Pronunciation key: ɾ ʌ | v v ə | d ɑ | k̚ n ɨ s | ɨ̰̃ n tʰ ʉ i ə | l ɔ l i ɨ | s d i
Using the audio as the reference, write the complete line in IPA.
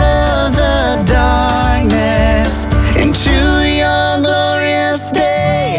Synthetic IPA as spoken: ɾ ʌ | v ð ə | d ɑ | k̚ n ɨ s | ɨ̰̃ n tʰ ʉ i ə | l ɔ ɹ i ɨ | s d e